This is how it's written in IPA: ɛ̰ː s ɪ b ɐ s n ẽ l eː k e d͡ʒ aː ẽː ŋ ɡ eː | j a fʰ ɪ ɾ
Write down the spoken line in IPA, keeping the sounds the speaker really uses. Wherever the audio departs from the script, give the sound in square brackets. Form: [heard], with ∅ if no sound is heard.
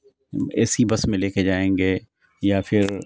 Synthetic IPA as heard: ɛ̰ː s [i] b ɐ s [m] ẽ l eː k e d͡ʒ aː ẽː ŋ ɡ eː | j a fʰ ɪ ɾ

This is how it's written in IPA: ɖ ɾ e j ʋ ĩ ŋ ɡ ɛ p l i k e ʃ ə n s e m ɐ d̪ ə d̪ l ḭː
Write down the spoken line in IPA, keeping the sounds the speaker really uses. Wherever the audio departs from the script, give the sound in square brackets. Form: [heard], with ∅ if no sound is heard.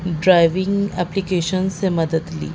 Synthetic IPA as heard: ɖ ɾ [a] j ʋ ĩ ŋ ɡ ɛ p l i k e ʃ ə n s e m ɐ d̪ ə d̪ l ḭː

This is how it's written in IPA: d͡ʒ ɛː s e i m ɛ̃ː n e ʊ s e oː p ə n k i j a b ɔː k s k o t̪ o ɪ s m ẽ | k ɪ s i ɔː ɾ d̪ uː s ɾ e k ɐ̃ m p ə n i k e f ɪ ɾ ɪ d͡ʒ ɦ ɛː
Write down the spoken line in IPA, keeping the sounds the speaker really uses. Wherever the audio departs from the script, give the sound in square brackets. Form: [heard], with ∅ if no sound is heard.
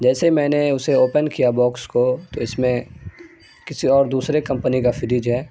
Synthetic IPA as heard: d͡ʒ ɛː s e i m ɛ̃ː n e ʊ s e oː p ə n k i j a b ɔː k s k o t̪ o ɪ s m ẽ | k ɪ s i ɔː ɾ d̪ uː s ɾ e k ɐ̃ m p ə n i k [a] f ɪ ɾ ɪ d͡ʒ ɦ ɛː

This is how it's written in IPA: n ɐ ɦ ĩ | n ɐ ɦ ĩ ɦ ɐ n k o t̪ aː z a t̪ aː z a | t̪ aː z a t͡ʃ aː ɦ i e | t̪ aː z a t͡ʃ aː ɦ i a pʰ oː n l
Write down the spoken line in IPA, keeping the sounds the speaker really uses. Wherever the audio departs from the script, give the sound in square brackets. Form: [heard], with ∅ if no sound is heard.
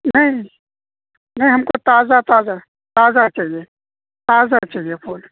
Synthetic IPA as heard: n ɐ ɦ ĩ | n ɐ ɦ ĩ ɦ ɐ [m] k o t̪ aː z a t̪ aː z a | t̪ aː z a t͡ʃ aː ɦ i e | t̪ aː z a t͡ʃ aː ɦ i [e] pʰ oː [∅] l

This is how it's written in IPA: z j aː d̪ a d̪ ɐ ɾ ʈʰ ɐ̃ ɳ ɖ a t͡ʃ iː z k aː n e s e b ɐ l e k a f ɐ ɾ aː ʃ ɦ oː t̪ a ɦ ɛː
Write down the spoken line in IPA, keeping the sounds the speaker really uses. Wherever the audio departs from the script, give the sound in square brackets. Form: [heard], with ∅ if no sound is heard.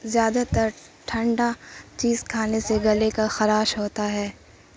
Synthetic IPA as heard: z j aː d̪ a [t̪] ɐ ɾ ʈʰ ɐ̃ ɳ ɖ a t͡ʃ iː z [kʰ] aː n e s e [ɡ] ɐ l e k a [x] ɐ ɾ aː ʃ ɦ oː t̪ a ɦ ɛː

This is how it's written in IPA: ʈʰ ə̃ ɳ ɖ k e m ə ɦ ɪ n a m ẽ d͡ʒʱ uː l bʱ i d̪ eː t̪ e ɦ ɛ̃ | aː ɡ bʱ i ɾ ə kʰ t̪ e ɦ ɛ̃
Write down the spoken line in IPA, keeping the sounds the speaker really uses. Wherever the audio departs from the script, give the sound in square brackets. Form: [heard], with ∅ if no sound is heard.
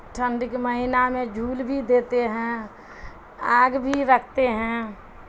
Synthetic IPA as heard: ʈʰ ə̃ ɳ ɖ k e m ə ɦ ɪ n a m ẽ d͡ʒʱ uː l bʱ i d̪ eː t̪ e ɦ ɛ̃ | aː ɡ bʱ i ɾ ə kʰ t̪ e ɦ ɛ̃

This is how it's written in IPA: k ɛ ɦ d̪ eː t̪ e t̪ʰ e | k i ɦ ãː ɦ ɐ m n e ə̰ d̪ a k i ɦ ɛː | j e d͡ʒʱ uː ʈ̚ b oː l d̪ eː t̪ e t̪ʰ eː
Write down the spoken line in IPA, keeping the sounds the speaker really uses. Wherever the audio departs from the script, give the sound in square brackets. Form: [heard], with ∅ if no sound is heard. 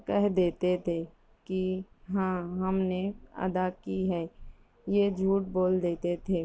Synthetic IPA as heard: k ɛ ɦ d̪ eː t̪ e t̪ʰ e | k i ɦ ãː ɦ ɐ m n e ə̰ d̪ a k i ɦ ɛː | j e d͡ʒʱ uː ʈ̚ b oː l d̪ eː t̪ e t̪ʰ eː

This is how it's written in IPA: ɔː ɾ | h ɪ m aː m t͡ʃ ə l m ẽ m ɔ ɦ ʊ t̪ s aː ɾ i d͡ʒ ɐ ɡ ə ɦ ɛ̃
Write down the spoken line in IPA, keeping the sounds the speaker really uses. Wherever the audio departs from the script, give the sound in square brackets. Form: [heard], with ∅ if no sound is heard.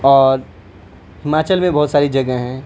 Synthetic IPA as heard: ɔː ɾ | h ɪ m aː [∅] t͡ʃ ə l m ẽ [b] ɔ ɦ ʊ t̪ s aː ɾ i d͡ʒ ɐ ɡ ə ɦ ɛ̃

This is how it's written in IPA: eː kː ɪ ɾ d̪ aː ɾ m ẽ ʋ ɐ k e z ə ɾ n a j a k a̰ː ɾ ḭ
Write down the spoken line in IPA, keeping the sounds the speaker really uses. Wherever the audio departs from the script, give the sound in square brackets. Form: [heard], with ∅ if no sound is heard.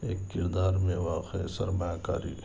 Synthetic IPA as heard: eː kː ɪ ɾ d̪ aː ɾ m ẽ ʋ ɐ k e [s] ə ɾ [m] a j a k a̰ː ɾ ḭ

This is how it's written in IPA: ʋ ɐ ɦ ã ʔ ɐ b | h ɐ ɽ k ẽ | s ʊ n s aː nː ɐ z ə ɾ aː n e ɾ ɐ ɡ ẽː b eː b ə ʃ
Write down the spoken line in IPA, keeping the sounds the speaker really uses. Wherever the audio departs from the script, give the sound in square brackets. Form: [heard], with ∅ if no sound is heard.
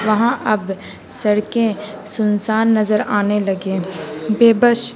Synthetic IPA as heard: ʋ ɐ ɦ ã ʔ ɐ b | [s] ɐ ɽ k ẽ | s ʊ n s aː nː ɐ z ə ɾ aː n e [l] ɐ ɡ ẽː b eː b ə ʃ

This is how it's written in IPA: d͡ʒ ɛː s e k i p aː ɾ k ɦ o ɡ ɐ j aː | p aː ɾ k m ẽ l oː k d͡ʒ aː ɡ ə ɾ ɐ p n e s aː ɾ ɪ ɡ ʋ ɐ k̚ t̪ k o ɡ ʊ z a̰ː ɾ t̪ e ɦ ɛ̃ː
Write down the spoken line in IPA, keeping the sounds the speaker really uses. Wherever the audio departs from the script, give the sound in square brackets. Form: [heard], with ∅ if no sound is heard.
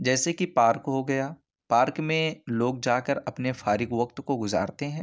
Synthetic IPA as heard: d͡ʒ ɛː s e k i p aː ɾ k ɦ o ɡ ɐ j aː | p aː ɾ k m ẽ l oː [ɡ] d͡ʒ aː [k] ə ɾ ɐ p n e [f] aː ɾ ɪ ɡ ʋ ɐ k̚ t̪ k o ɡ ʊ z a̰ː ɾ t̪ e ɦ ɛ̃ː

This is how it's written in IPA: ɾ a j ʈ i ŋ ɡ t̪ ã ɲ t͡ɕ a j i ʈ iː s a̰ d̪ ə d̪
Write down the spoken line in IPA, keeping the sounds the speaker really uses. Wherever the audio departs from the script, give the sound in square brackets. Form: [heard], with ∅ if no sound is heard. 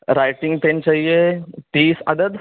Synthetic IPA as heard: ɾ a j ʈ i ŋ ɡ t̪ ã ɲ t͡ɕ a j [e] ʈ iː s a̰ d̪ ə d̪

